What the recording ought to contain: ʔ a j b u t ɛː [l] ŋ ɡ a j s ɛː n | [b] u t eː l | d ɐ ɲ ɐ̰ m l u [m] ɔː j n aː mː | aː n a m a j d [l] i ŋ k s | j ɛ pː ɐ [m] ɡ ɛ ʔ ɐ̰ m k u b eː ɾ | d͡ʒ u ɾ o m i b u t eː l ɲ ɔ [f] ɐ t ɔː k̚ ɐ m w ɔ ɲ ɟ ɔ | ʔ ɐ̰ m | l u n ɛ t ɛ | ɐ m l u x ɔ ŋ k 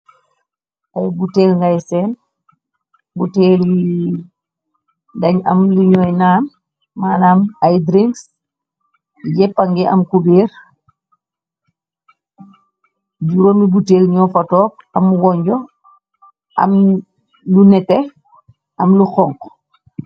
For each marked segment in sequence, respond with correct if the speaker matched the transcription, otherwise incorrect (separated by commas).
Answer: correct, correct, incorrect, incorrect, incorrect, correct